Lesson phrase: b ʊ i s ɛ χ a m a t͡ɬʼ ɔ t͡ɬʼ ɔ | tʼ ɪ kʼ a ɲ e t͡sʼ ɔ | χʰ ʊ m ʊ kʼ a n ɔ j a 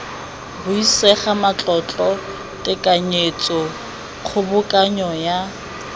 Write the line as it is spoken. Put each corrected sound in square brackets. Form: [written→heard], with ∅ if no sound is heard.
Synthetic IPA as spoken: b ʊ i s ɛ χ a m a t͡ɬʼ ɔ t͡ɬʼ ɔ | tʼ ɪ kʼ a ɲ e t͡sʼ ɔ | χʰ ʊ [m→b] ʊ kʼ a [n→ɲ] ɔ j a